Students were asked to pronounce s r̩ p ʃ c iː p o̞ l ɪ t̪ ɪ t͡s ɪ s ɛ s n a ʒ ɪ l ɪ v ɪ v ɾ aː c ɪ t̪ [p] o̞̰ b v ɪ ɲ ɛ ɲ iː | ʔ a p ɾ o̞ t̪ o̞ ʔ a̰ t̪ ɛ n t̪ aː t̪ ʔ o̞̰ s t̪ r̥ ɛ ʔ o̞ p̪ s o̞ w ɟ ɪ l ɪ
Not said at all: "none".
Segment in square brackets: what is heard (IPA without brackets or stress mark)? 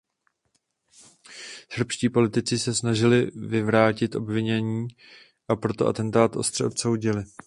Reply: ʔ